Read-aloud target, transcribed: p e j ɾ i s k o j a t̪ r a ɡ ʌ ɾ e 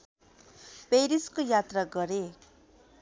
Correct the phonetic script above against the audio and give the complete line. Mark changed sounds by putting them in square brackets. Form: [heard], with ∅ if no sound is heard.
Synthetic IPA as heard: p e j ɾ i s k o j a t̪ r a ɡ ʌ ɾ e